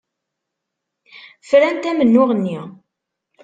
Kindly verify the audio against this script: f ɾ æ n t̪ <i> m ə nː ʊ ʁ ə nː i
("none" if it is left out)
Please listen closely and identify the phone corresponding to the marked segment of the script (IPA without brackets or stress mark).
æ